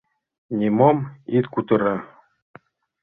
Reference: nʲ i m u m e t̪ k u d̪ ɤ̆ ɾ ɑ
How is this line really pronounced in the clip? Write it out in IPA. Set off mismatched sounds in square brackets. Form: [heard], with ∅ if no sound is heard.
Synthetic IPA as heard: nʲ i m [o] m [i] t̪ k u [t̪] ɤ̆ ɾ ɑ